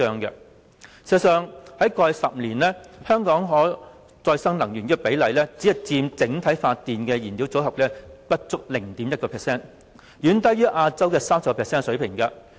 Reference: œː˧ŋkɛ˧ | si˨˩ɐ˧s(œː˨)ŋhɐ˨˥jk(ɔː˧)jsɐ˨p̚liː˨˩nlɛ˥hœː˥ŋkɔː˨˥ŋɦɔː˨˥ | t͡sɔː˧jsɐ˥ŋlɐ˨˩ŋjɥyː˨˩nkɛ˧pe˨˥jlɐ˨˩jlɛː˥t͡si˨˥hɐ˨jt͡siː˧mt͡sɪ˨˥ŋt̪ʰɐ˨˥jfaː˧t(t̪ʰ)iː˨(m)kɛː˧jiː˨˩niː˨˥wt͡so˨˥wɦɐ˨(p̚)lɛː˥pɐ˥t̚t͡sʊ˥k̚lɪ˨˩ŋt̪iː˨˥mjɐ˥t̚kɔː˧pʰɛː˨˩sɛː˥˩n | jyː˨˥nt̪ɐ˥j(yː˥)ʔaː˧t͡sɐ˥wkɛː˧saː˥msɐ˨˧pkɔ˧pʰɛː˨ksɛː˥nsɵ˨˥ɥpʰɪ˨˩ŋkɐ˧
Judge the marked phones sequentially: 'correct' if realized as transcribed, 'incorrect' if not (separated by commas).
correct, correct, incorrect, incorrect, correct, correct